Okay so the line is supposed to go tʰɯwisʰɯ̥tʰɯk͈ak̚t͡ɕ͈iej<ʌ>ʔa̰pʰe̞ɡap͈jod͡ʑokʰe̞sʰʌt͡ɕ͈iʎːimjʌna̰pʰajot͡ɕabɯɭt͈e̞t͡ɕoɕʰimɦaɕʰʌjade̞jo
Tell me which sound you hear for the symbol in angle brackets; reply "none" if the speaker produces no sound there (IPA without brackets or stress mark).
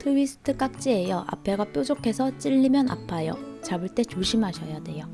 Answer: ʌ